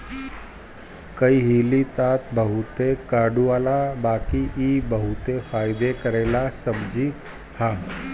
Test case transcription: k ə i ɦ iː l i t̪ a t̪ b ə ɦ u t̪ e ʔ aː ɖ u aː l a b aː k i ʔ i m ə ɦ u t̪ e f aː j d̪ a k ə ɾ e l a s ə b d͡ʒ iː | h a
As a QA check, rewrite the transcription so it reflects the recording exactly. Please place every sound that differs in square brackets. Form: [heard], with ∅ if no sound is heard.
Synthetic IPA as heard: k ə i ɦ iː l i t̪ a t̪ b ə ɦ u t̪ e [k] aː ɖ u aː l a b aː k i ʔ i [b] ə ɦ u t̪ e f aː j d̪ [e] k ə ɾ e l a s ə b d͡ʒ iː | h a